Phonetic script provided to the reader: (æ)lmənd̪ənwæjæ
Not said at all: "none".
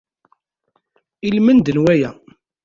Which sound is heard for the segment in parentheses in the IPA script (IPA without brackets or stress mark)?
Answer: i